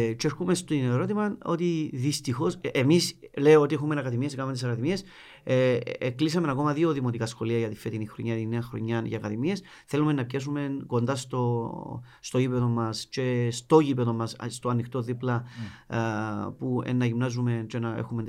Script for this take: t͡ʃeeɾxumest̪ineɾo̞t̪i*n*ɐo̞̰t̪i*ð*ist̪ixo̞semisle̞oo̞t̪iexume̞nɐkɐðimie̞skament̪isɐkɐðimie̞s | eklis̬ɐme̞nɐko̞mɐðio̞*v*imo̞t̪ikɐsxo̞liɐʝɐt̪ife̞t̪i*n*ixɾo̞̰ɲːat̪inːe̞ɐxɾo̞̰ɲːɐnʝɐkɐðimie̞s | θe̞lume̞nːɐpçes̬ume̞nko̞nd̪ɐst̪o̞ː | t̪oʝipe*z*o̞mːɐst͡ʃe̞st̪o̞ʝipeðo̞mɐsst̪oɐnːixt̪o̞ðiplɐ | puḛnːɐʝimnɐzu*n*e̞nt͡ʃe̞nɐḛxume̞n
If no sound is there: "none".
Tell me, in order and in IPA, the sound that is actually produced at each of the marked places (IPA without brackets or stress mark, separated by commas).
m, ð, ð, n, ð, m